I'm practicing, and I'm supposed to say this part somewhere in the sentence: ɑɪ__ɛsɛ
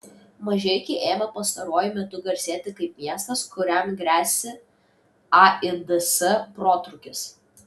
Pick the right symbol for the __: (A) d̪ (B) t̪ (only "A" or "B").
A